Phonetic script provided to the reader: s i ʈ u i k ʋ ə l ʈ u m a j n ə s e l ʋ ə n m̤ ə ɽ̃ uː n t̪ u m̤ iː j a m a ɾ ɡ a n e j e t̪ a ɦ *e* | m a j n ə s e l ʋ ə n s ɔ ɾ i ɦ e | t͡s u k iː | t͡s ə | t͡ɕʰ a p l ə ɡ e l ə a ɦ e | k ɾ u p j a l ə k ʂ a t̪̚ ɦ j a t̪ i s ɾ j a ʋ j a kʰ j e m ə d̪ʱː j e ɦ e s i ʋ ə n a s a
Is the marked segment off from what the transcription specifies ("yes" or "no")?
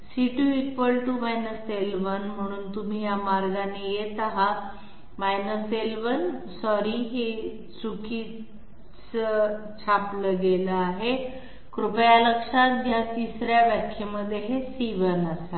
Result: yes